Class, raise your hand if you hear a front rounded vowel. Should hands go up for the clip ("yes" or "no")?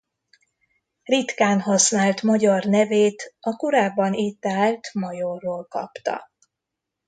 no